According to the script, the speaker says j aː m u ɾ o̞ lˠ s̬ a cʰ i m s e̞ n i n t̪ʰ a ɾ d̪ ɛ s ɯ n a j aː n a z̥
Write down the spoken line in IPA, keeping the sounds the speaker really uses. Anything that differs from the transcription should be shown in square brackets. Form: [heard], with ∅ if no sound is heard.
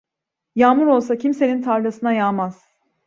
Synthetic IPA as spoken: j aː m u ɾ o̞ lˠ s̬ a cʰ i m s e̞ n i n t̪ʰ a ɾ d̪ [a] s ɯ n a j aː [m] a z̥